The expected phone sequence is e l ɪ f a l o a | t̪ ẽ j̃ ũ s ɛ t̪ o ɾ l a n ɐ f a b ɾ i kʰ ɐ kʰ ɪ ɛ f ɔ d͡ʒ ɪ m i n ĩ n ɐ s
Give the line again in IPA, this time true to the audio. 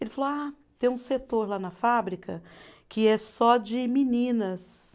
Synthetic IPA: e l ɪ f a l o a | t̪ ẽ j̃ ũ s e t̪ o ɾ l a n ɐ f a b ɾ i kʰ ɐ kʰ ɪ ɛ s ɔ d͡ʒ ɪ m i n ĩ n ɐ s